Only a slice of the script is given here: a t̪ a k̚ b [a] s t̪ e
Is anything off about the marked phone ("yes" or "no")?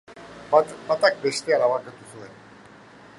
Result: yes